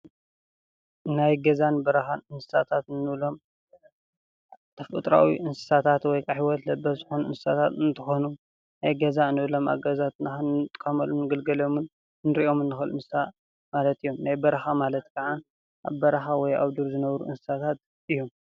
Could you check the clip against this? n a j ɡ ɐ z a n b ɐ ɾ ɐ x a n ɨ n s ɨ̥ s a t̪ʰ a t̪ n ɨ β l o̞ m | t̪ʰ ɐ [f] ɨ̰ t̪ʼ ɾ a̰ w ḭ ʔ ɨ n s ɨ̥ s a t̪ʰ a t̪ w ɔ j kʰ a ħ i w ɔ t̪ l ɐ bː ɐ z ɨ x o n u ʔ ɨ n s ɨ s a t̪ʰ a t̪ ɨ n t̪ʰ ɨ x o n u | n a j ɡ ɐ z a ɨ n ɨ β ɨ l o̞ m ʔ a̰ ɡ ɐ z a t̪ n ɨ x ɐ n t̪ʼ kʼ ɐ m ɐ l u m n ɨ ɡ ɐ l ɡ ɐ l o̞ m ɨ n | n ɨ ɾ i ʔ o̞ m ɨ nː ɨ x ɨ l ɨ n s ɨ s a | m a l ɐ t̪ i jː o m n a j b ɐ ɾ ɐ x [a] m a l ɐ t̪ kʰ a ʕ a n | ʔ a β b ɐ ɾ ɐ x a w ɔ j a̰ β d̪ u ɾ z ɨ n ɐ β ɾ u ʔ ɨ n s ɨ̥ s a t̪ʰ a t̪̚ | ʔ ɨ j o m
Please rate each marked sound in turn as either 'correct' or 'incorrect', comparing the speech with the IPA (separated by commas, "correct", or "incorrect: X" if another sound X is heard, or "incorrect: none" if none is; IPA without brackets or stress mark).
correct, correct